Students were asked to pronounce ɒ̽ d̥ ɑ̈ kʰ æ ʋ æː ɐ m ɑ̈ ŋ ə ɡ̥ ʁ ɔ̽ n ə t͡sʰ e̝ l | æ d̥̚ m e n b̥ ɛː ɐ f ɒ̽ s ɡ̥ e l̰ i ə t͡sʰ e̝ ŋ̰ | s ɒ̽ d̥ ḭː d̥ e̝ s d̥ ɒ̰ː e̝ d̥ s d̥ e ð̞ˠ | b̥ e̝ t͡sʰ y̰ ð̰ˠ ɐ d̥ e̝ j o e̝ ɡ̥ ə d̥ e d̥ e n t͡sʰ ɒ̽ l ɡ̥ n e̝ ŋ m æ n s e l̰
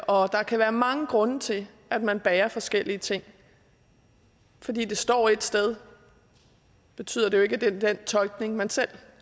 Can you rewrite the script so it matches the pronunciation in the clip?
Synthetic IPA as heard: ɒ̽ d̥ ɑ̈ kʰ æ ʋ æː ɐ m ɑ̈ ŋ ə ɡ̥ ʁ ɔ̽ n ə t͡sʰ e̝ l | æ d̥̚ m æ n b̥ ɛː ɐ f ɒ̽ s ɡ̥ e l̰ i ə t͡sʰ e̝ ŋ̰ | f ɒ̽ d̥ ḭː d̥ e̝ s d̥ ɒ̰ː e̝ d̥ s d̥ e ð̞ˠ | b̥ e̝ t͡sʰ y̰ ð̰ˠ ɐ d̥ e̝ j o e̝ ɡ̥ ə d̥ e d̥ e n t͡sʰ ɒ̽ l ɡ̥ n e̝ ŋ m æ n s e l̰